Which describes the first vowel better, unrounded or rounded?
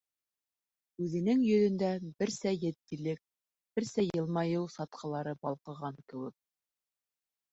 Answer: rounded